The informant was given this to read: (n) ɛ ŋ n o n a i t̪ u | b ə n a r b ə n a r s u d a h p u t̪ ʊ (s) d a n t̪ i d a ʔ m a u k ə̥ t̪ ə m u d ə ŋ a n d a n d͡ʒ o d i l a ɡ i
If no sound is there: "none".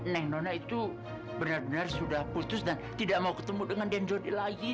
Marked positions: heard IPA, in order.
n, s

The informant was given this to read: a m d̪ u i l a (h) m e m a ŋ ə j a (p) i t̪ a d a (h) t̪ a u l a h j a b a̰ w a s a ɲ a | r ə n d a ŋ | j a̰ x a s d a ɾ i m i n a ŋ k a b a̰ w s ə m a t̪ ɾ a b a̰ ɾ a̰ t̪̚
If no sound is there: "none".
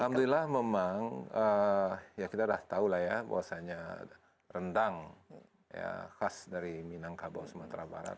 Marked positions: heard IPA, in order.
h, k, h

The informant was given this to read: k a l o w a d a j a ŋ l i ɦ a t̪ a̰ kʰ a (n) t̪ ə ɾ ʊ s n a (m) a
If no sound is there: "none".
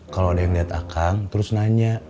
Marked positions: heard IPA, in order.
ŋ, ɲ

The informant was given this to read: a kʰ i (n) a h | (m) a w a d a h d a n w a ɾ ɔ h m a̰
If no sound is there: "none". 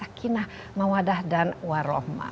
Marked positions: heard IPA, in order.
n, m

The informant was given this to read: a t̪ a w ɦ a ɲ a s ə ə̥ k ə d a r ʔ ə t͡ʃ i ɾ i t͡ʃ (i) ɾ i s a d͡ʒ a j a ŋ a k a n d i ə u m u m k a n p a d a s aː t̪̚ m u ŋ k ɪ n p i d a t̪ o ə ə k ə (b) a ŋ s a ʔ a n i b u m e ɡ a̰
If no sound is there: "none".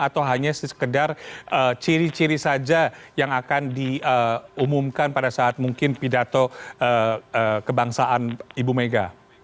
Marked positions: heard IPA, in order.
i, b

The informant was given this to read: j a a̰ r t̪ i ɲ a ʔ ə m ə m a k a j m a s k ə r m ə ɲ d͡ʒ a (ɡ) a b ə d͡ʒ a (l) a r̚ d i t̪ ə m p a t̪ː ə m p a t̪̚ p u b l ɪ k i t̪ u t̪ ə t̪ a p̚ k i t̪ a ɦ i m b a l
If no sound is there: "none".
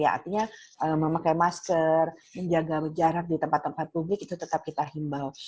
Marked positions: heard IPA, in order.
ɡ, ɾ

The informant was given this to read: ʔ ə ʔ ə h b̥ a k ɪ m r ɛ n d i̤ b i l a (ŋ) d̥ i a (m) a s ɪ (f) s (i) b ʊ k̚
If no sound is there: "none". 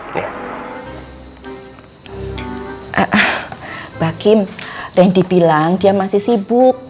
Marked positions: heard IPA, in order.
ŋ, m, h, i

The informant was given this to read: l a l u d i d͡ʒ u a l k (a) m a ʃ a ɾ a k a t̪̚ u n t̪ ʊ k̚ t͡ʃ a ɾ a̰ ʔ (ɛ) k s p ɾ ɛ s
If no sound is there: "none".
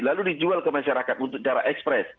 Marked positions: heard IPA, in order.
ə, ɛ

